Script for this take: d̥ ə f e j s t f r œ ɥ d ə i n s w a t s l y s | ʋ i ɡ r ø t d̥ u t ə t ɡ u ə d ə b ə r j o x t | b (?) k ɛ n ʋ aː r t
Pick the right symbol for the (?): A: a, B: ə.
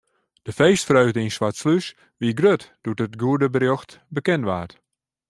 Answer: B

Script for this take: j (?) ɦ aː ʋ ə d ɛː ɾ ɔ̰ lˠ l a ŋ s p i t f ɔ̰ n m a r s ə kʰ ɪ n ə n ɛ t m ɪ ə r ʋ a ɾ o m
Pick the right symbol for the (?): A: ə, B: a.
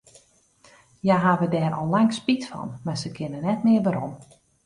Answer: B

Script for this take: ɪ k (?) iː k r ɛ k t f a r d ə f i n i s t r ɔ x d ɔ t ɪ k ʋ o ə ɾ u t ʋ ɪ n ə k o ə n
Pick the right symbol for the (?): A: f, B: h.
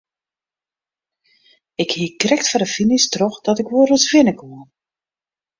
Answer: B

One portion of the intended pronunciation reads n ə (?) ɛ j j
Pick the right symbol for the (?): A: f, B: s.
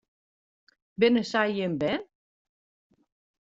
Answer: B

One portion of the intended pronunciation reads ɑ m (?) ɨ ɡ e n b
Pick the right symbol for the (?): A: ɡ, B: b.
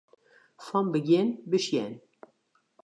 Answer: B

